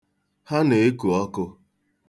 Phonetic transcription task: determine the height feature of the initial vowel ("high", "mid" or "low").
low